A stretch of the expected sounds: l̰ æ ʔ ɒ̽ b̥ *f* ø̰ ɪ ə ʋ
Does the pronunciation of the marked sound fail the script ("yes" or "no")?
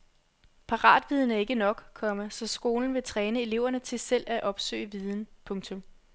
yes